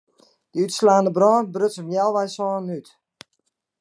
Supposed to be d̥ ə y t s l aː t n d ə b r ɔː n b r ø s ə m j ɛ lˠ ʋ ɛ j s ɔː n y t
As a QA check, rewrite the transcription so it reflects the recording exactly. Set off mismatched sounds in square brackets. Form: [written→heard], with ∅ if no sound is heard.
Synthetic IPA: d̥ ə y t s l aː [t→∅] n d ə b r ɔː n b r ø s ə m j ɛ lˠ ʋ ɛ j s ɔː n y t